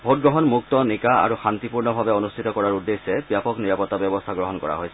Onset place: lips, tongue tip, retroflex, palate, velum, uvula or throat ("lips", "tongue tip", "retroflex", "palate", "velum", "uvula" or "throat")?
lips